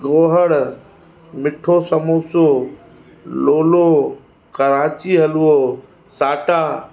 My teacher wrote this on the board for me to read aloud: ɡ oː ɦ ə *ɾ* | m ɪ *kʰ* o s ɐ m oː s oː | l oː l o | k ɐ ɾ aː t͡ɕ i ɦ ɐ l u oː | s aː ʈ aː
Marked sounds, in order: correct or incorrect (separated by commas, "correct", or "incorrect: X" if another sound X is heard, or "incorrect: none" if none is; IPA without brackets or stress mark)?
incorrect: ɽ, incorrect: ʈʰ